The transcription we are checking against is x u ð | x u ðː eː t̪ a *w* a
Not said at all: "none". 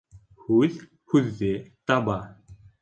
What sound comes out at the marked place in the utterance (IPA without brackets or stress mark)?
b